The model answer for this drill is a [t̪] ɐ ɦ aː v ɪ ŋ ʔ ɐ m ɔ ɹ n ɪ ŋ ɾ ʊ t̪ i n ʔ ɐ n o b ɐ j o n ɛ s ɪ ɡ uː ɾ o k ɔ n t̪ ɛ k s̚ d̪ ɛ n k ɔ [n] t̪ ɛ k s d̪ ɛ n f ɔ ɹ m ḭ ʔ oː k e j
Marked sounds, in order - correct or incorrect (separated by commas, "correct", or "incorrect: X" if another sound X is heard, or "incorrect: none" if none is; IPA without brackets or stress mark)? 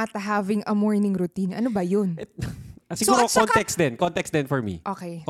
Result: correct, correct